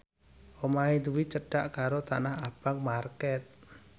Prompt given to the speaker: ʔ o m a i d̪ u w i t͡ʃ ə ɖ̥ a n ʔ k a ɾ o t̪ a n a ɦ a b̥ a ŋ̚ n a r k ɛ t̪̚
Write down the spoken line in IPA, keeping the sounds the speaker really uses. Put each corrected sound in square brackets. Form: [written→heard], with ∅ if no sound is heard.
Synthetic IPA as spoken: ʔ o m a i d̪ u w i t͡ʃ ə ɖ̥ a [n→∅] ʔ k a ɾ o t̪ a n a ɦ a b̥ a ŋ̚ [n→m] a r k ɛ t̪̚